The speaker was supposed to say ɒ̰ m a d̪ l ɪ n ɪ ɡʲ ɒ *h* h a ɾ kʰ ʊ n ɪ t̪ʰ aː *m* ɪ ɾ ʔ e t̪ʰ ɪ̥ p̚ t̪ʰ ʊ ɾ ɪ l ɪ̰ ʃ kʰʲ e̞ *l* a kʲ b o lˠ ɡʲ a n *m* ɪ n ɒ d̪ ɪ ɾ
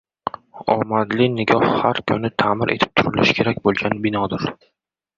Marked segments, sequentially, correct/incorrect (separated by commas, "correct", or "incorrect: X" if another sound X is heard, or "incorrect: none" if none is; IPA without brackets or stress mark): correct, correct, incorrect: ɾ, incorrect: b